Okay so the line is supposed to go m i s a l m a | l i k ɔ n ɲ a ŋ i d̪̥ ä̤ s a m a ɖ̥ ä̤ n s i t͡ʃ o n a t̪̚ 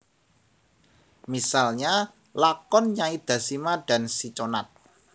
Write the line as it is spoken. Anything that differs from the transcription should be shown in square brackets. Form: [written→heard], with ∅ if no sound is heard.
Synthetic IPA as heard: m i s a l [m→ɲ] a | l [i→a] k ɔ n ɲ a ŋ i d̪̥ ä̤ s [a→i] m a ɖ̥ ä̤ n s i t͡ʃ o n a t̪̚